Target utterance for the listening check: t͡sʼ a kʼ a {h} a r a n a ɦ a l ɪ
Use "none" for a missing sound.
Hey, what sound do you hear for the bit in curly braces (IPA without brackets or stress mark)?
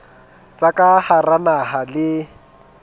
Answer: h